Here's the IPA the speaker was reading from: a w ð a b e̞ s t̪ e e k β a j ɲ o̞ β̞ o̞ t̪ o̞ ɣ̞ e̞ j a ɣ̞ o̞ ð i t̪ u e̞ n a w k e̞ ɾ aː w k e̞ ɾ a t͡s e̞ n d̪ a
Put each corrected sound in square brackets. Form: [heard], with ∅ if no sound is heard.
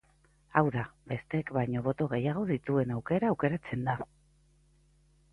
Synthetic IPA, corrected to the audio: a w ð a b e̞ s t̪ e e k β a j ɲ o̞ β̞ o̞ t̪ o̞ ɣ̞ e̞ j a ɣ̞ o̞ ð i t̪ u e̞ n a w k e̞ ɾ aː w k e̞ ɾ a t͡s e̞ n d̪ a